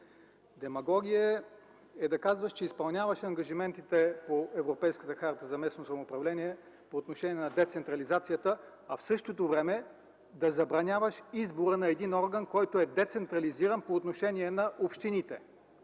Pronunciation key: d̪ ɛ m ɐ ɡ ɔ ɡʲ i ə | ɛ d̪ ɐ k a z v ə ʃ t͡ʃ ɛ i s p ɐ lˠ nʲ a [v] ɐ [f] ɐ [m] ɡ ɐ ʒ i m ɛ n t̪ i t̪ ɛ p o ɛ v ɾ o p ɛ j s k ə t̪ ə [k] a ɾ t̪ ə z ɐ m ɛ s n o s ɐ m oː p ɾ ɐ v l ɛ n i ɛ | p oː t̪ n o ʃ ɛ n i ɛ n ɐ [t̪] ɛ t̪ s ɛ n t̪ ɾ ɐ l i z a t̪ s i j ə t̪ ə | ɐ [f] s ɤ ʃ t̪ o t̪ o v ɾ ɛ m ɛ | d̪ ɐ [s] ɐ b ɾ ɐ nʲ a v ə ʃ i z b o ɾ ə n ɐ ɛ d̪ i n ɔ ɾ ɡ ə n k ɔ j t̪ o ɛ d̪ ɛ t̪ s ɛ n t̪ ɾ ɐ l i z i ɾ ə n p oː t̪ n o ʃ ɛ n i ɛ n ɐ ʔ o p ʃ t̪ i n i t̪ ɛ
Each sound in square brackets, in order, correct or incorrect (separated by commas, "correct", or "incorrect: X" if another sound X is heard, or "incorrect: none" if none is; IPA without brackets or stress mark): correct, incorrect: ʃ, incorrect: ŋ, incorrect: x, incorrect: d̪, correct, incorrect: z